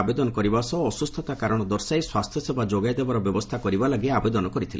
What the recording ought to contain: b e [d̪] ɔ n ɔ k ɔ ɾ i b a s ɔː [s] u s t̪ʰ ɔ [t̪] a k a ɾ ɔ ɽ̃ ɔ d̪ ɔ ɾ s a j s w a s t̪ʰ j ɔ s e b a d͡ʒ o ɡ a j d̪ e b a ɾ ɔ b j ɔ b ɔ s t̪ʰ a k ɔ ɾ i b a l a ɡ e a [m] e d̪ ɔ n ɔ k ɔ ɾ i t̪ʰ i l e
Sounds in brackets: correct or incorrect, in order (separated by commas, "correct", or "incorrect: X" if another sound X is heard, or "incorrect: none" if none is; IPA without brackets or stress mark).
correct, correct, correct, incorrect: b